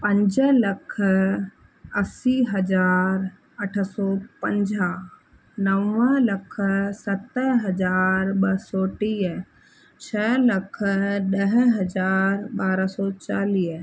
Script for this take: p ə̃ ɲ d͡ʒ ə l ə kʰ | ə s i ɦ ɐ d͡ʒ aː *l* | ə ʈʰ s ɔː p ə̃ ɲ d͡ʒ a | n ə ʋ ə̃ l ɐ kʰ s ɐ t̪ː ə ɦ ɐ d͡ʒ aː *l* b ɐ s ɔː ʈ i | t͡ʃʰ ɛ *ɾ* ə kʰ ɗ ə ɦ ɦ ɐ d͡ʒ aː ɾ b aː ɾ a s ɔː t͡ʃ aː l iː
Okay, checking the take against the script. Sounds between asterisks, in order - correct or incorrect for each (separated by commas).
incorrect, incorrect, incorrect